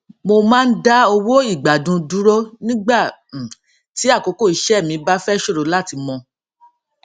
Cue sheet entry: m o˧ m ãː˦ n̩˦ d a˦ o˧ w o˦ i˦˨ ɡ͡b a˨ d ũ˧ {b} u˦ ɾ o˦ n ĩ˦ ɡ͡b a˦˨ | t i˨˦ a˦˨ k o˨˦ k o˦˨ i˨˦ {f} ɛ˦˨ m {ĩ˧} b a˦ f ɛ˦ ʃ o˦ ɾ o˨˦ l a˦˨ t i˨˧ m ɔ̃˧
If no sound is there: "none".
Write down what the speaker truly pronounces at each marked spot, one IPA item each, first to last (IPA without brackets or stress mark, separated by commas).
d, ʃ, ĩ˧